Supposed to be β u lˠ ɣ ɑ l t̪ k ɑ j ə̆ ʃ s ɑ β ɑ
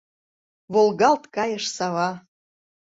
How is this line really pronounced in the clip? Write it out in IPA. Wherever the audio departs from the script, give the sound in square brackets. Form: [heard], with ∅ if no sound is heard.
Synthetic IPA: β [o] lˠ ɣ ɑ l t̪ k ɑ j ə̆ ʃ s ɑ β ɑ